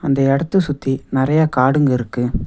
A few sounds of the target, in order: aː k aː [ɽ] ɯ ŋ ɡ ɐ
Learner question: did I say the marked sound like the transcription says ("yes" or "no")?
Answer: yes